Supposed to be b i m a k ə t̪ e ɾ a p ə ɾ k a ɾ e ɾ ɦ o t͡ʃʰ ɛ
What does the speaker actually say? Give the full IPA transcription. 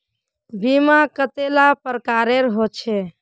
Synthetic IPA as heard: b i m a k ə t̪ e l a p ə ɾ k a ɾ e ɾ ɦ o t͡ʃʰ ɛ